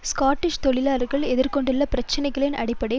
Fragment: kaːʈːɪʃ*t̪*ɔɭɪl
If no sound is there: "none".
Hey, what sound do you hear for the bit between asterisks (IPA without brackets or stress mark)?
t̪